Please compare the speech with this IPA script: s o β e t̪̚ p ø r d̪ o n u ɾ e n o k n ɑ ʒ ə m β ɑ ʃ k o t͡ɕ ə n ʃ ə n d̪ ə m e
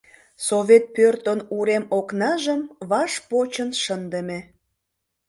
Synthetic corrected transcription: s o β e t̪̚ p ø r t̪ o n u ɾ e m o k n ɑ ʒ ə m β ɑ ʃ p o t͡ɕ ə n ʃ ə n d̪ ə m e